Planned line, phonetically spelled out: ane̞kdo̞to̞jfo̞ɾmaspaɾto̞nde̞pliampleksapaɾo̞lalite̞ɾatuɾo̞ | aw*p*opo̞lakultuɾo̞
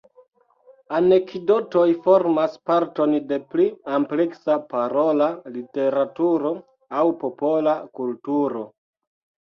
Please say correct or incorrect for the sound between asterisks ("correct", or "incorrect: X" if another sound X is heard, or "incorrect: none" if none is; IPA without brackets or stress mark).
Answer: correct